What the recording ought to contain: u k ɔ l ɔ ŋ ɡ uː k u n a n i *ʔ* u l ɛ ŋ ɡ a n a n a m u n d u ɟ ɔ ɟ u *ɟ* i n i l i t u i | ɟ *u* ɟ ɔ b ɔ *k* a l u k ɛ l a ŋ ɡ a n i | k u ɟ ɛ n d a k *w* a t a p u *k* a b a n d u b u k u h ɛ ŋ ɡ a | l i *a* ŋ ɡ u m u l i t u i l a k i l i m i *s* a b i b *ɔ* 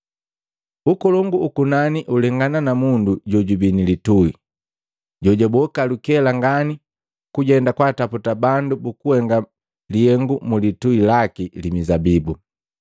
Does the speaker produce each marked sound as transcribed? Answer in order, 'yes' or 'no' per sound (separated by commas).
yes, no, no, yes, yes, no, no, no, no